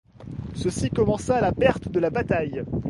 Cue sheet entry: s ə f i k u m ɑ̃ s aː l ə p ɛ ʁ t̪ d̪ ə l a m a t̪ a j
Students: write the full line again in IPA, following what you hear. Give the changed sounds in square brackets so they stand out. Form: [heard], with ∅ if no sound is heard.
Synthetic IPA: s ə [s] i k [ɔ] m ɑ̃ s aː l [a] p ɛ ʁ t̪ d̪ ə l a [b] a t̪ a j